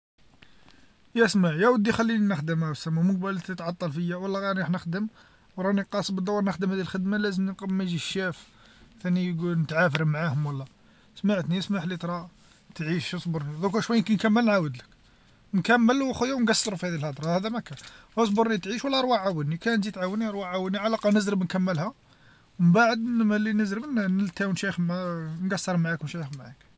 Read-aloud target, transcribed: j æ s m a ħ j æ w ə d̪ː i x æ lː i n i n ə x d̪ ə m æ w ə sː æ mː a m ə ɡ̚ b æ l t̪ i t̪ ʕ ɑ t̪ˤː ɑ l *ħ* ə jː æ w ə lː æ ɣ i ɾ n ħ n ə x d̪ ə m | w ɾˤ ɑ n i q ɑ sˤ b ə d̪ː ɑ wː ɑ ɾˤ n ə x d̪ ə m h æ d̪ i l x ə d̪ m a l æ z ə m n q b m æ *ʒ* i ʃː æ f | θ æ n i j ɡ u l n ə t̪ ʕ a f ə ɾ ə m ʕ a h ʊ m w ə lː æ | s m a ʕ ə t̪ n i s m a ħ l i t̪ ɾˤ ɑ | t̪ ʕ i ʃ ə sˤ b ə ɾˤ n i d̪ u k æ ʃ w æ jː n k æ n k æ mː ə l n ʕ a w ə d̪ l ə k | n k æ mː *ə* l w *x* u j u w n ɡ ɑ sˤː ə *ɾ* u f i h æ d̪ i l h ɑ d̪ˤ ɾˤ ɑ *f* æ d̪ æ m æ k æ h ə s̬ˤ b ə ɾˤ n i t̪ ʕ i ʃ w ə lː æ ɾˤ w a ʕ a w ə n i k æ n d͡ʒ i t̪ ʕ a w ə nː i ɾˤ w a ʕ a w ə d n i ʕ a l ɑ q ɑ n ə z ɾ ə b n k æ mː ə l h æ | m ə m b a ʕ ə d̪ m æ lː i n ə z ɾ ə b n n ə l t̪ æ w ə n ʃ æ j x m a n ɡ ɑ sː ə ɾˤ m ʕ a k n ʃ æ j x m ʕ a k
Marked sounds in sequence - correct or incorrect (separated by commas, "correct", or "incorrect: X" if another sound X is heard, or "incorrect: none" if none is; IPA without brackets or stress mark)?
incorrect: f, correct, correct, correct, correct, incorrect: h